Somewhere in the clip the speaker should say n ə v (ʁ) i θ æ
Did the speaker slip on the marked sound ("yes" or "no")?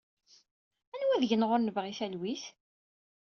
no